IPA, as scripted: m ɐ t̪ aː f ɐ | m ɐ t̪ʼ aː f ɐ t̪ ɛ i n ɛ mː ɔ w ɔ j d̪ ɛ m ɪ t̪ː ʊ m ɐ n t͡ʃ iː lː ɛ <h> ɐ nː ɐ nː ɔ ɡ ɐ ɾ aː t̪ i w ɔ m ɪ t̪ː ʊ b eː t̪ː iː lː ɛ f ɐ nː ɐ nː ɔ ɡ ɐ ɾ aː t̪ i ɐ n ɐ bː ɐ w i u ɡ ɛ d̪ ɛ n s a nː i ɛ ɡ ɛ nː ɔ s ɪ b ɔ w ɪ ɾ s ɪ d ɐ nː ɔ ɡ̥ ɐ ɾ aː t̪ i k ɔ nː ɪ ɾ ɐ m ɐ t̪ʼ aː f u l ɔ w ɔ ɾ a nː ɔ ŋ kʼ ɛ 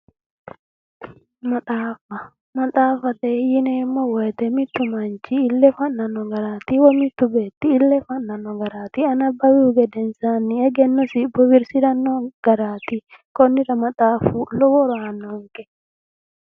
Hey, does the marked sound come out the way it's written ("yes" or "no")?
no